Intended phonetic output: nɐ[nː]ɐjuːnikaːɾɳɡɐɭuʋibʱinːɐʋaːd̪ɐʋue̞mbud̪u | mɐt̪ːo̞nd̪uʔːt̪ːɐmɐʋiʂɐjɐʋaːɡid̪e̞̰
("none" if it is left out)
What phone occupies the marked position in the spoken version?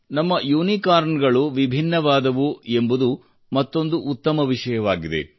mː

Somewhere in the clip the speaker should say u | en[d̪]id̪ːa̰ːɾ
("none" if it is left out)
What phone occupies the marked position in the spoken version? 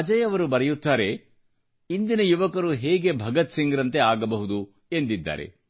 d̪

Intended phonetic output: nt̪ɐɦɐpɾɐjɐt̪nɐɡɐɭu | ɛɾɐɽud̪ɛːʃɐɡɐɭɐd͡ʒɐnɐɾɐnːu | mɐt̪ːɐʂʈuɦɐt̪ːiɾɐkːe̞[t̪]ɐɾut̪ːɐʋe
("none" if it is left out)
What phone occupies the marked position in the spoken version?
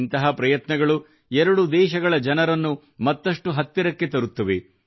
t̪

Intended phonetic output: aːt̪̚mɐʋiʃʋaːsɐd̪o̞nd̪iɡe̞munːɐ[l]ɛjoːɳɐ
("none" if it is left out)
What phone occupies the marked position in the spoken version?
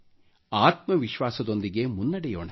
ɽ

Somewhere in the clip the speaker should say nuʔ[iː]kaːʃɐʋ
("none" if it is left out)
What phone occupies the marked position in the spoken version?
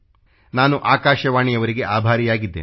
aː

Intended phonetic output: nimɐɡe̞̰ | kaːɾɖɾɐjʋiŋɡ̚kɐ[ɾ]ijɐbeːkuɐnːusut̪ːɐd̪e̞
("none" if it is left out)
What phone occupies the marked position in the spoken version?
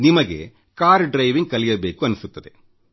l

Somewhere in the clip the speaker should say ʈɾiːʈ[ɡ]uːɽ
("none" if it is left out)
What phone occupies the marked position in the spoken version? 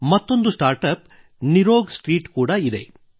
k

